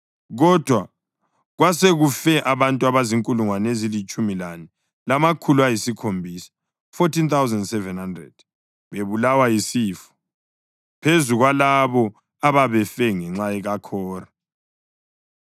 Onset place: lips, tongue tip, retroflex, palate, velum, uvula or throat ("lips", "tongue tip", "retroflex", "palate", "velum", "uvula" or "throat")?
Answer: velum